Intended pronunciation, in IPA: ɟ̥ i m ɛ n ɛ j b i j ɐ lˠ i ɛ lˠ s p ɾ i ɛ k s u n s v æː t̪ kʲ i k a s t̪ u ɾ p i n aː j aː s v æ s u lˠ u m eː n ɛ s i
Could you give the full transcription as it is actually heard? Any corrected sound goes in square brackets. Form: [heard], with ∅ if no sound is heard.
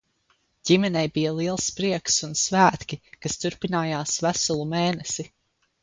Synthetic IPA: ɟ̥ i m ɛ n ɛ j b i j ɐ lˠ i ɛ lˠ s p ɾ i ɛ k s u n s v æː t̪ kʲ i k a s t̪ u ɾ p i n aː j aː s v æ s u lˠ u m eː n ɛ s i